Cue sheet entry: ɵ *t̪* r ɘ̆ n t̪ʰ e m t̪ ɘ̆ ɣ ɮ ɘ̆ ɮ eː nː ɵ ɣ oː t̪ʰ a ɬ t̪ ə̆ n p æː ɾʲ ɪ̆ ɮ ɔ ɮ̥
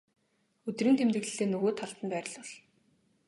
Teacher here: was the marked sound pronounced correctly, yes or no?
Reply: yes